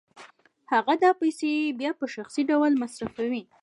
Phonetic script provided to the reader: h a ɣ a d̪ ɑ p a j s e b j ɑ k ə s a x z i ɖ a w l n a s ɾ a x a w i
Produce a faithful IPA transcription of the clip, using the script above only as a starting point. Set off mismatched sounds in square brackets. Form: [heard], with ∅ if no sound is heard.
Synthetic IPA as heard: h a ɣ a d̪ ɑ p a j s e b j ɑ [p] ə [ʃ] a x [s] i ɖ a w l [m] a s ɾ a [f] a w i